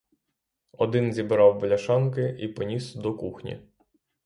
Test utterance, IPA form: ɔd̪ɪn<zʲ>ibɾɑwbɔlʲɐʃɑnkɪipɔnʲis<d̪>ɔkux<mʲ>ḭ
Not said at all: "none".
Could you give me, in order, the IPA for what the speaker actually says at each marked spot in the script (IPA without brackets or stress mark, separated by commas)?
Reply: zʲ, d̪, nʲ